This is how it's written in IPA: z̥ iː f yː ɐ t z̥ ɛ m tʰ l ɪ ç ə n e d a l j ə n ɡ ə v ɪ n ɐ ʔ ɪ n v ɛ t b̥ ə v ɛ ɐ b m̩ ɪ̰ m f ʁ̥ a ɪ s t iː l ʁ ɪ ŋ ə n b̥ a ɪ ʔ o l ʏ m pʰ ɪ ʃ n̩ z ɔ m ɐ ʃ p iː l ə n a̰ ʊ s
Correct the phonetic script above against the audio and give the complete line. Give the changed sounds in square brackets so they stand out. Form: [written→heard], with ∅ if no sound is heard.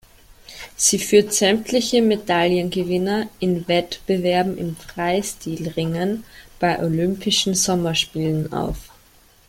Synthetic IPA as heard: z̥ iː f yː ɐ t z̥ ɛ m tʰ l ɪ ç ə [n→m] e d a l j ə n ɡ ə v ɪ n ɐ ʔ ɪ n v ɛ t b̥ ə v ɛ ɐ b m̩ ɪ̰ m f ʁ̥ a ɪ s t iː l ʁ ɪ ŋ ə n b̥ a ɪ ʔ o l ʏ m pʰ ɪ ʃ n̩ z ɔ m ɐ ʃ p iː l ə n a̰ ʊ [s→f]